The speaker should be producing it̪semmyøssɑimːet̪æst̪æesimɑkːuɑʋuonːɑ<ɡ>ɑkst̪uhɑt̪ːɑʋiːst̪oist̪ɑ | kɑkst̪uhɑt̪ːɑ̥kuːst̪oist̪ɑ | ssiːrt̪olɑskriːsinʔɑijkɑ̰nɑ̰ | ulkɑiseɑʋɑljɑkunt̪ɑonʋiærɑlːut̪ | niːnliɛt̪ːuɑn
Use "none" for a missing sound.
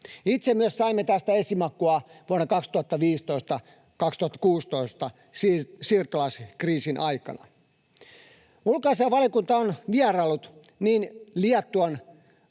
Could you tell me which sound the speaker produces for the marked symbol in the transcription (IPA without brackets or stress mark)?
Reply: k